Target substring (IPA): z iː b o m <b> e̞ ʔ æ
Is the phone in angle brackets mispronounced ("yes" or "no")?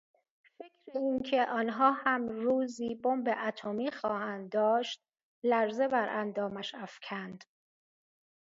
no